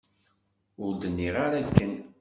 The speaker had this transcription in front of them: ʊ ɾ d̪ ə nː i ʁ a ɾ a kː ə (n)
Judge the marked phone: correct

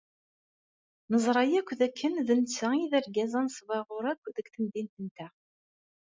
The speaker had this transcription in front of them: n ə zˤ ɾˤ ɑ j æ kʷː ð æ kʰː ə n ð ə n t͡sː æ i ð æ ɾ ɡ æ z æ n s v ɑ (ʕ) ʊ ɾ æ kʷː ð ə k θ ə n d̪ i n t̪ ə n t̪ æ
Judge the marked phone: incorrect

